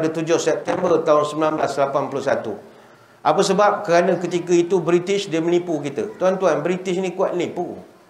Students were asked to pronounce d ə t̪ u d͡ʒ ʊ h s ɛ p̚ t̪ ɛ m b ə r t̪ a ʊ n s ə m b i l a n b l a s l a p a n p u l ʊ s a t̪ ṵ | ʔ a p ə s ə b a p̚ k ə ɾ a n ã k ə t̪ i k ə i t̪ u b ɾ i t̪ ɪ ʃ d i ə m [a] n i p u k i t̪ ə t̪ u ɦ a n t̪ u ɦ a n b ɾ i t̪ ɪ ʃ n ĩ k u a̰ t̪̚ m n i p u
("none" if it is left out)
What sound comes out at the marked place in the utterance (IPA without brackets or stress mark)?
ə